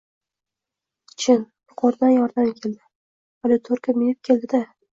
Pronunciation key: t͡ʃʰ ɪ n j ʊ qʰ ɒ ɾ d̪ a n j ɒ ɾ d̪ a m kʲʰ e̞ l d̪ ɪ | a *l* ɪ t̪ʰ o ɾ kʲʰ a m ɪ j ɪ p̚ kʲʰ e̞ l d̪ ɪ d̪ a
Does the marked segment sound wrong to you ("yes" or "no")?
no